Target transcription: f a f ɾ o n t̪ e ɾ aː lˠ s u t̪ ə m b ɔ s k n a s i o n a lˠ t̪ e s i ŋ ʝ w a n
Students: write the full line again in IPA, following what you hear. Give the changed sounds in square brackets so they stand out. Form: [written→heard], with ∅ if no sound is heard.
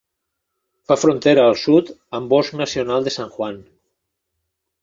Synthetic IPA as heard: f a f ɾ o n t̪ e ɾ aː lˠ s u t̪ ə m b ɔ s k n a s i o n a lˠ [t̪→d̪] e s [i→a] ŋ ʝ w a n